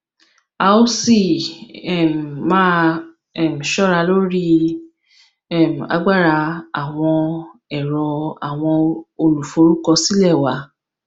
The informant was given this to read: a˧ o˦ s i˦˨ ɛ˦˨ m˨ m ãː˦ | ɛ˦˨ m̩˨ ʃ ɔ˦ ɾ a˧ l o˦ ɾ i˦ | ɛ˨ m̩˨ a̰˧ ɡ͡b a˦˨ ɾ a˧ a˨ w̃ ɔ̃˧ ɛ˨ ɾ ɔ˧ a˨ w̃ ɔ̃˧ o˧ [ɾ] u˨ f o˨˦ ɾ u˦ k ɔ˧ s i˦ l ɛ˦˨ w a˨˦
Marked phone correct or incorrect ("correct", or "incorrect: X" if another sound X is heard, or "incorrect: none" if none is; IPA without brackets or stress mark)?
incorrect: l